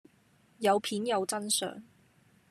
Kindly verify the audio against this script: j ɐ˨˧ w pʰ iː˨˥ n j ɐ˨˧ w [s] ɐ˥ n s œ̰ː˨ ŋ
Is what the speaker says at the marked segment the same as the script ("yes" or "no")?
no